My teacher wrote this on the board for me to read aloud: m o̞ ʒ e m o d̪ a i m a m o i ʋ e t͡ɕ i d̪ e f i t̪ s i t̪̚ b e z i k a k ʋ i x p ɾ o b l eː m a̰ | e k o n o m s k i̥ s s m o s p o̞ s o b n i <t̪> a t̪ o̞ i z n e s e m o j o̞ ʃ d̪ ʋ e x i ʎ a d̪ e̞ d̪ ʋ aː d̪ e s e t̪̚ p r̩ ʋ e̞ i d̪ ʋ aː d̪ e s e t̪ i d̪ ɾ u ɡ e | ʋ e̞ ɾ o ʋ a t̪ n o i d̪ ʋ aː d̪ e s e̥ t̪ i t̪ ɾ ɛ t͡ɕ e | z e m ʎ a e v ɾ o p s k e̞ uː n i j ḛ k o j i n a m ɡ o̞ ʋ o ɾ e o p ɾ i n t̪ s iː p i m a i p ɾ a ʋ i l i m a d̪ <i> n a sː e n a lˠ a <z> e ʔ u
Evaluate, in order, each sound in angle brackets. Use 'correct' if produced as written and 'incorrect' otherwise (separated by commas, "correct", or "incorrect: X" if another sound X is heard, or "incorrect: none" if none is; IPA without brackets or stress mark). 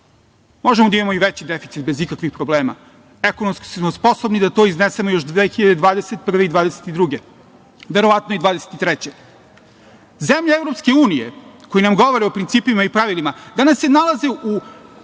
incorrect: d̪, incorrect: a, correct